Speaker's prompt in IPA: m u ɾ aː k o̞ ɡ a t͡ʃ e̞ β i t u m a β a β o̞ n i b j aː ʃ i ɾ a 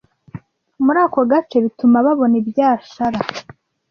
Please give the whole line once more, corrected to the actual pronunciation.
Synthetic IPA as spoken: m u ɾ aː k o̞ ɡ a t͡ʃ e̞ β i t u m a β a β o̞ n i b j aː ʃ a ɾ a